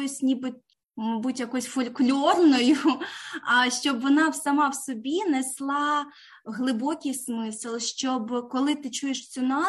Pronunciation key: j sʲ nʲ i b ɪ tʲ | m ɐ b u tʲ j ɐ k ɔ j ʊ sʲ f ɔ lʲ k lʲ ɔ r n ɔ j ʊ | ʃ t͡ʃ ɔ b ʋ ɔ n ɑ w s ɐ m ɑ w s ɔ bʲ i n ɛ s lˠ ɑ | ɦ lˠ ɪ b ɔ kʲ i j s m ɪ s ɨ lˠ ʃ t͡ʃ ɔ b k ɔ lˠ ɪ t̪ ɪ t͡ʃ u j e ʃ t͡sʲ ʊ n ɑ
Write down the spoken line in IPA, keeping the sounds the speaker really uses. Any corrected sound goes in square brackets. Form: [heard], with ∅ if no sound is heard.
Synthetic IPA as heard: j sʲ nʲ i b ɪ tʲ | m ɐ b u tʲ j ɐ k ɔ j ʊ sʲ f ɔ lʲ k lʲ ɔ r n ɔ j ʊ | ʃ t͡ʃ ɔ b ʋ ɔ n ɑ w s ɐ m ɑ w s ɔ bʲ i n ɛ s lˠ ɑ | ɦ lˠ ɪ b ɔ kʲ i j s m ɪ s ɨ lˠ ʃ t͡ʃ ɔ b k ɔ lˠ ɪ t̪ ɪ t͡ʃ u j e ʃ t͡sʲ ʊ n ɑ